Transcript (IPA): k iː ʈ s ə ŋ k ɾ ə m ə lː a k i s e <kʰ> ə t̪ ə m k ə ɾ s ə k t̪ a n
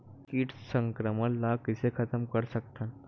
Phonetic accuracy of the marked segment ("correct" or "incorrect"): correct